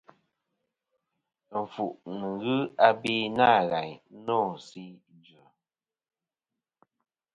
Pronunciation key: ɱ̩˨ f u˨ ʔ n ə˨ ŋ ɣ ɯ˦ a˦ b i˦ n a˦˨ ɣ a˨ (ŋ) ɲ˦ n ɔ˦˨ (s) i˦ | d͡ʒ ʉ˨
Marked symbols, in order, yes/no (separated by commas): no, yes